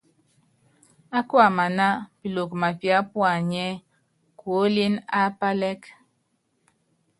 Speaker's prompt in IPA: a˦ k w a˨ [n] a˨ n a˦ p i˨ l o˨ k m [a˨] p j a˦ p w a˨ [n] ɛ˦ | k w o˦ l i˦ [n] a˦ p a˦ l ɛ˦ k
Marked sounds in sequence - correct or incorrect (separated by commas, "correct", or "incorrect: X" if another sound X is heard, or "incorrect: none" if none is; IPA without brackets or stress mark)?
incorrect: m, correct, incorrect: ɲ, correct